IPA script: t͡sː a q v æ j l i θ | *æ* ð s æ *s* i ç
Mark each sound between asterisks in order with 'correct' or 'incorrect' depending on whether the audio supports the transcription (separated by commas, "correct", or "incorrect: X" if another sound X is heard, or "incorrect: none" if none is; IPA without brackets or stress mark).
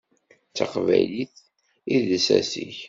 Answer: incorrect: i, correct